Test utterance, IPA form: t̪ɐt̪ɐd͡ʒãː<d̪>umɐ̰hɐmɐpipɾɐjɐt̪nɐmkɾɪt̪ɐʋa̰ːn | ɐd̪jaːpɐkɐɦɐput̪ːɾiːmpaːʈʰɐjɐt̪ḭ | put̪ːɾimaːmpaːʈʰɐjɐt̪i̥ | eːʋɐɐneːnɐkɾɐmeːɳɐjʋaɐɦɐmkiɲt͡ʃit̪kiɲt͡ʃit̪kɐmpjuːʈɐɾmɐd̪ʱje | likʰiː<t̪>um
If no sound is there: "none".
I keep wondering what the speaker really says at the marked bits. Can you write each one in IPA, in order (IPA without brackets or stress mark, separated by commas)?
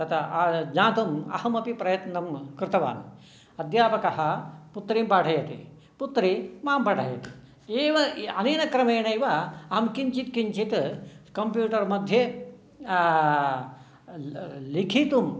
t̪, t̪